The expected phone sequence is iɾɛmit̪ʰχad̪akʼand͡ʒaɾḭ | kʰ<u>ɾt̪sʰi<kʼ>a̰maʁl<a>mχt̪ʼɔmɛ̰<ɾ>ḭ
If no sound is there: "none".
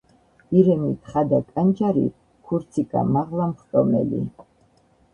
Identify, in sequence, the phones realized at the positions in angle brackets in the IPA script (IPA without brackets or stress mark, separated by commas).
u, kʼ, a, l